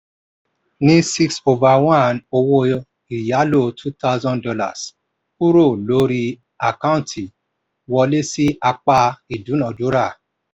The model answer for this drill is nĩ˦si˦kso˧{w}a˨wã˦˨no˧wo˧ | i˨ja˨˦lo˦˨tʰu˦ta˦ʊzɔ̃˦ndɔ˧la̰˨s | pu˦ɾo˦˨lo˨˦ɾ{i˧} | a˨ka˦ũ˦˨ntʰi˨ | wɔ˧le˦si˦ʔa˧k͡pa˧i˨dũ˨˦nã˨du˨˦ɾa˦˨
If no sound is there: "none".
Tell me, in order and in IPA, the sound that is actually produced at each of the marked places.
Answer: v, i˧

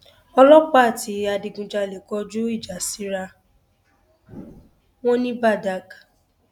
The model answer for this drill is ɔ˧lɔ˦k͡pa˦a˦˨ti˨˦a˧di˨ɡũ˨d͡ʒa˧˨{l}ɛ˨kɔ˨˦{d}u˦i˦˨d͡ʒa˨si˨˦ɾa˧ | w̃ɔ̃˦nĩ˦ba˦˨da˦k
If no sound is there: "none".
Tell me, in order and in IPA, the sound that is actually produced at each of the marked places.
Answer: l, d͡ʒ

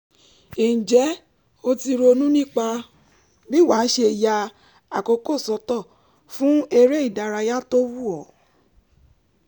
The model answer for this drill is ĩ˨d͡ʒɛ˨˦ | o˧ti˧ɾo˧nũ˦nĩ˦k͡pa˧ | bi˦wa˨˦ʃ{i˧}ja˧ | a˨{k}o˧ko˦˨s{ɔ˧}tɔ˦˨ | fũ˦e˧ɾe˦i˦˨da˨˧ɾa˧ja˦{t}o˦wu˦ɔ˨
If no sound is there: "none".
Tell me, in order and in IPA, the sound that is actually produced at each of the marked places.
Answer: e˧, k, ɔ˧, t

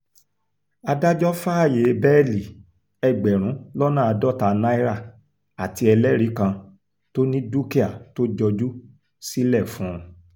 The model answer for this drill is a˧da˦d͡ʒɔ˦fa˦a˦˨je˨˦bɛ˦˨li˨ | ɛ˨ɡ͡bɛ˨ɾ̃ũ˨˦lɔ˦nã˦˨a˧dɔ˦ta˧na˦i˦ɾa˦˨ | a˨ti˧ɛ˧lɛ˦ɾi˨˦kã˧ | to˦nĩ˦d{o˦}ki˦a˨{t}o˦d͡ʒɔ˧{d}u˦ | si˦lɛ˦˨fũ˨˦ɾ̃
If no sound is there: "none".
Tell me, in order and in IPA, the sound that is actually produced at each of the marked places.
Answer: u˦, t, d͡ʒ

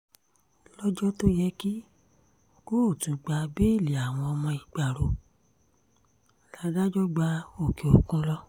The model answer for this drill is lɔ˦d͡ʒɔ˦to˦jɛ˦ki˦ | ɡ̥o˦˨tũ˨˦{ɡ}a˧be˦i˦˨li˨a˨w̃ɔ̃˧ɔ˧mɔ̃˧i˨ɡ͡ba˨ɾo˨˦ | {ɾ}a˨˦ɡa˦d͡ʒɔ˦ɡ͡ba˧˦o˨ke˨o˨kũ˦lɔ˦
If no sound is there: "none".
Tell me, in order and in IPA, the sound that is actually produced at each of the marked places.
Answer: ɡ͡b, l

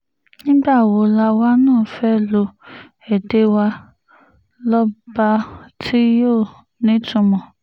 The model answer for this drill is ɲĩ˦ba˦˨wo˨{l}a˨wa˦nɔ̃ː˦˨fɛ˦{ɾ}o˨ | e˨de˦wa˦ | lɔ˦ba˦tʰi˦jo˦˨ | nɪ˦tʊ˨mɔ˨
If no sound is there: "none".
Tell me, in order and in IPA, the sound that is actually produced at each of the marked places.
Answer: l, l

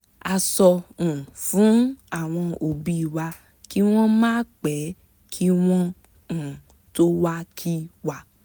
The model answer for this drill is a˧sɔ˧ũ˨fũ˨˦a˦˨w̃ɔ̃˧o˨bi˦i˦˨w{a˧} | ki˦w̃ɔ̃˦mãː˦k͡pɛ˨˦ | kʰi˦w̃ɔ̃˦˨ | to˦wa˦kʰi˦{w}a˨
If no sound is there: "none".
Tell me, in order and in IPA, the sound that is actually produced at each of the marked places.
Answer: a˧, w

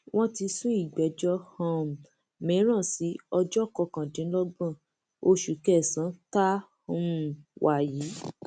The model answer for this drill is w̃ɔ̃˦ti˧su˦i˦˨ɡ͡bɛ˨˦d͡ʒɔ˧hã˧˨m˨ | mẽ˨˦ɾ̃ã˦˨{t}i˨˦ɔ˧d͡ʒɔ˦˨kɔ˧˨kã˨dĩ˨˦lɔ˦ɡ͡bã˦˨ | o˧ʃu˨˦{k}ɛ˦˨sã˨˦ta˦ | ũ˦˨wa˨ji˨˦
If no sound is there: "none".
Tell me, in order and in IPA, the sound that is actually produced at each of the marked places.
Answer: s, k

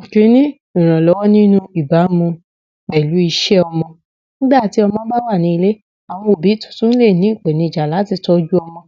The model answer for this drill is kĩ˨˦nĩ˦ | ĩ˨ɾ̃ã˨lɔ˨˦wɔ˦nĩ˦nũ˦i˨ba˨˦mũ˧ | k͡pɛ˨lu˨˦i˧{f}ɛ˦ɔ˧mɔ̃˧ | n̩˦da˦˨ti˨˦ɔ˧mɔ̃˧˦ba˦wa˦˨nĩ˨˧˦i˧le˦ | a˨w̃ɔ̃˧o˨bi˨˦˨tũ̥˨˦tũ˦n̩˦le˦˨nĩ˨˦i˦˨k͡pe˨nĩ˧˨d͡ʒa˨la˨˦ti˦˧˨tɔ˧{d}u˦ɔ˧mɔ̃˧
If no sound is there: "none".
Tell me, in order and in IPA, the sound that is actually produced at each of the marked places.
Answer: ʃ, d͡ʒ

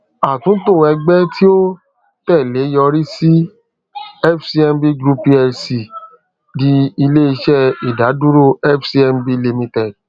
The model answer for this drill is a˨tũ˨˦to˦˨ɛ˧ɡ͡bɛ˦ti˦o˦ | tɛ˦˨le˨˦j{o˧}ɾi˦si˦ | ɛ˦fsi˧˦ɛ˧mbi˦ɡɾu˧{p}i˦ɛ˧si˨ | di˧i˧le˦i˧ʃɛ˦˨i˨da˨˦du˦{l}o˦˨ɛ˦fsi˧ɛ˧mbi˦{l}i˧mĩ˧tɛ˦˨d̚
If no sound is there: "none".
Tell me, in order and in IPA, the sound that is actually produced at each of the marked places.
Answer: ɔ˧, p, ɾ, l

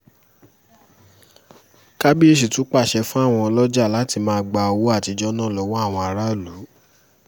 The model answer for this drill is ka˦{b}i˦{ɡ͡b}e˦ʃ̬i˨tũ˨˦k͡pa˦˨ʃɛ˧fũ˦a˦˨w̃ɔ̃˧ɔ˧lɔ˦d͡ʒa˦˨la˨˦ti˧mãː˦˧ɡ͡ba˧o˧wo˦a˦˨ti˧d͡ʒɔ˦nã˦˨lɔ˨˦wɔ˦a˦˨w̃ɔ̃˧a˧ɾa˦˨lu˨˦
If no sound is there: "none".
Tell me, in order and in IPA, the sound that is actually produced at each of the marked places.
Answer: b, none

